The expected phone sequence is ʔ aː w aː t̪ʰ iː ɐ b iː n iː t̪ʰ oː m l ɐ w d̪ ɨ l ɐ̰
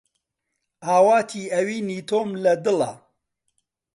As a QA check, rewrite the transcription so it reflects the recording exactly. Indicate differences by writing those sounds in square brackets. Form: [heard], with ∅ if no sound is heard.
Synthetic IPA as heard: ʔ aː w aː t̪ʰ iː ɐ [w] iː n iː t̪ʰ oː m l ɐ [∅] d̪ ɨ l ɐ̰